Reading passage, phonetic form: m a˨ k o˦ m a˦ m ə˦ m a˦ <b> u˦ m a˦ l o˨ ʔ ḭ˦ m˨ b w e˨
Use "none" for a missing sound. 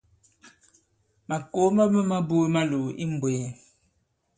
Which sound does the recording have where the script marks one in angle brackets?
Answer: b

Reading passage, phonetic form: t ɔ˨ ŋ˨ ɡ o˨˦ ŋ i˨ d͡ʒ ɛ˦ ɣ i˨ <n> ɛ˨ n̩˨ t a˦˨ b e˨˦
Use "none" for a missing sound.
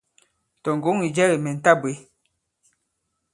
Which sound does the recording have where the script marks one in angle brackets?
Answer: m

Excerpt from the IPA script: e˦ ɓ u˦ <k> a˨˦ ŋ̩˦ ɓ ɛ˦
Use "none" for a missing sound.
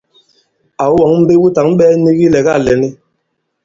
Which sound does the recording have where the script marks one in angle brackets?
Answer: t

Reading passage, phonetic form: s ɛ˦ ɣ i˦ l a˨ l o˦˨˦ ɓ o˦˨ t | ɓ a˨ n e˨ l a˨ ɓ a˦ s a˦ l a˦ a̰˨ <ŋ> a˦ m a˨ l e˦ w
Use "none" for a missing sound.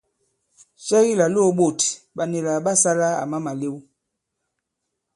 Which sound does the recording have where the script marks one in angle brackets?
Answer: m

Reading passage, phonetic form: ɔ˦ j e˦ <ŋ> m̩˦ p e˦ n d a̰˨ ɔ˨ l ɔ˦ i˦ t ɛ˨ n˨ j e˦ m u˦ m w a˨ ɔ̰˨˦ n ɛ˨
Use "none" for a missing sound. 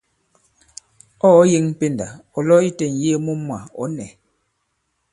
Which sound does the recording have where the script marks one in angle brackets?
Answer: ŋ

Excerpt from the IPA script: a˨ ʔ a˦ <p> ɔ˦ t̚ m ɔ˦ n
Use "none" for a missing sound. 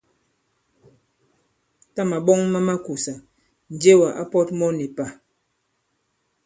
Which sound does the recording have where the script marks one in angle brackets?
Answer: p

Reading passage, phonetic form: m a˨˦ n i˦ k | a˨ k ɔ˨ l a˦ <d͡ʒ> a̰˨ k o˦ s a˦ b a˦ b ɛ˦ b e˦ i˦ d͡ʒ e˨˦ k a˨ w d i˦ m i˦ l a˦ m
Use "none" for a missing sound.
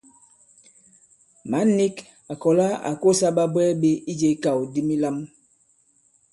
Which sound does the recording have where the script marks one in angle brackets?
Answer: none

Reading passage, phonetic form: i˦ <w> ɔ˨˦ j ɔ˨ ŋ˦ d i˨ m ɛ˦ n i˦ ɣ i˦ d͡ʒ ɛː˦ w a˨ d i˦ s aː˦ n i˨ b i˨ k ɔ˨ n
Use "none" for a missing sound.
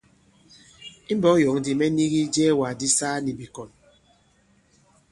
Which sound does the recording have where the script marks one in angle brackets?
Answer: b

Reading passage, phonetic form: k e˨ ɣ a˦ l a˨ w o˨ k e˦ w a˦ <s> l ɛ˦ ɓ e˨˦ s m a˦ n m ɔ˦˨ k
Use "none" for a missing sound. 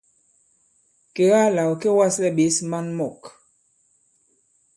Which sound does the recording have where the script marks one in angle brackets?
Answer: s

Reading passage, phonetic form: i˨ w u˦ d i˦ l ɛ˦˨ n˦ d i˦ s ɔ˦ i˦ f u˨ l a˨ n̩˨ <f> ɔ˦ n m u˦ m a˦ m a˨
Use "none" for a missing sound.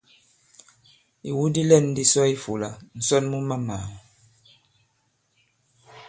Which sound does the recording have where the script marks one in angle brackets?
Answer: s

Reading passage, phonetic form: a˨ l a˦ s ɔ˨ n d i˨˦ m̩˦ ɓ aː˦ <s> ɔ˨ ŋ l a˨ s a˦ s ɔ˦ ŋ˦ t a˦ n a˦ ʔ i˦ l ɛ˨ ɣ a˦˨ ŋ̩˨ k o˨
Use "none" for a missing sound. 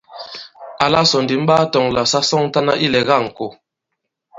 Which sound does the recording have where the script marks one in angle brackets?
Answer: t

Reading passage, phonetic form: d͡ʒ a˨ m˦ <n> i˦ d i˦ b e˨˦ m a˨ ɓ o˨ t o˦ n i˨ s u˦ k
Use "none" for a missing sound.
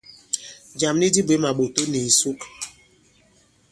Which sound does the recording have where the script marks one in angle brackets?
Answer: n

